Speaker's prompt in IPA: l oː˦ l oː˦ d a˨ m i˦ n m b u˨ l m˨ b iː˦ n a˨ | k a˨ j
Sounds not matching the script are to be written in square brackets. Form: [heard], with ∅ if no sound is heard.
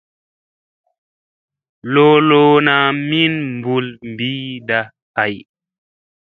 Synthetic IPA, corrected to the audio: l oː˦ l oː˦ [n] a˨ m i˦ n m b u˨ l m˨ b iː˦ [d] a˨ | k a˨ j

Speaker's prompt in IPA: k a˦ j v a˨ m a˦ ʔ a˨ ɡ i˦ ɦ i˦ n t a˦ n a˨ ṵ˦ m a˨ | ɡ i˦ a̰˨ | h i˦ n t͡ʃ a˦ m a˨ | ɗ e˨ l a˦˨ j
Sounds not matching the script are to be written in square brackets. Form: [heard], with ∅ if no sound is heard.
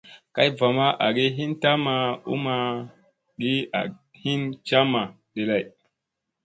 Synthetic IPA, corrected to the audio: k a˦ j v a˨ m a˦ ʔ a˨ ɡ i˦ ɦ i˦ n t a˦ [m] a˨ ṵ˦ m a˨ | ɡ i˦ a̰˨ | h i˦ n t͡ʃ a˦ m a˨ | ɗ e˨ l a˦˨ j

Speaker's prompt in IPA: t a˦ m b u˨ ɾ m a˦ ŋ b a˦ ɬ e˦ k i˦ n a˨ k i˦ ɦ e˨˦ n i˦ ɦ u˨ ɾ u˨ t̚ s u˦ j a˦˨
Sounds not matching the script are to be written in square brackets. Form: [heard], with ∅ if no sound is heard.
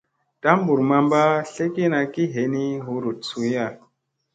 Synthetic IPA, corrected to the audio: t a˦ m b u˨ ɾ m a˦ [m] b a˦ ɬ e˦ k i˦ n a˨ k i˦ ɦ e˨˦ n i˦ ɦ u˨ ɾ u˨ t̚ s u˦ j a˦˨

